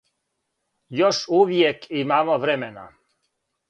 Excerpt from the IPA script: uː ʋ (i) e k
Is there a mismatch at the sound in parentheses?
yes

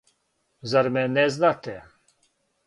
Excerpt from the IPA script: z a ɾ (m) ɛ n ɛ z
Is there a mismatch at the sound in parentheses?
no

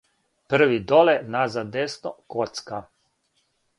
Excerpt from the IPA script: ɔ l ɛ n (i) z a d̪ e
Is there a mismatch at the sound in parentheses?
yes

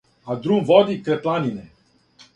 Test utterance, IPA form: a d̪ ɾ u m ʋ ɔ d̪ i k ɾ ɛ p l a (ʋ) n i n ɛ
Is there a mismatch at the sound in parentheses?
yes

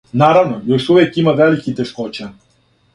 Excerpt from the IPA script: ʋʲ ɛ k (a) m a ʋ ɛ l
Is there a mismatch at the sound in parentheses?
yes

